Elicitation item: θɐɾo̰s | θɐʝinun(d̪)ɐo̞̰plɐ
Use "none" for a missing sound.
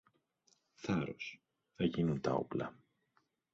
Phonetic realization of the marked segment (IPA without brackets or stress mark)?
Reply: t̪